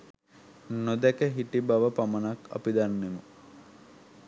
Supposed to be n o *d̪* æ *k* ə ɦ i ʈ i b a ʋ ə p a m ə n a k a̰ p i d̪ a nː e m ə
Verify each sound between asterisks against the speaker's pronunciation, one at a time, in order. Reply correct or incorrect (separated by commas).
correct, correct